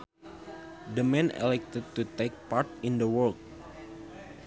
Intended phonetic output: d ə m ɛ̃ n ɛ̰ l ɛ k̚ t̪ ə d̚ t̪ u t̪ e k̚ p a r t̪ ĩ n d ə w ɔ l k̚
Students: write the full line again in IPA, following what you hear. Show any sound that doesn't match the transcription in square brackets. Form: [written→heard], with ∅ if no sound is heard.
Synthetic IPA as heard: d ə m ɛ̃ n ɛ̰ l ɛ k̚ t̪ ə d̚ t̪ u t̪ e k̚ p a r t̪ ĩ n d ə w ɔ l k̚

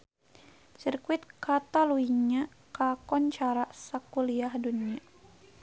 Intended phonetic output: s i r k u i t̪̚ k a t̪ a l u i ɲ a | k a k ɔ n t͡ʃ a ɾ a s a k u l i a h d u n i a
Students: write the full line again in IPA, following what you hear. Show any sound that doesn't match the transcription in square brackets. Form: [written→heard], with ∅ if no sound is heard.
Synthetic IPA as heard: s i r k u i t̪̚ k a t̪ a l u i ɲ a | k a k ɔ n t͡ʃ a ɾ a s a k u l i a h d u n i a

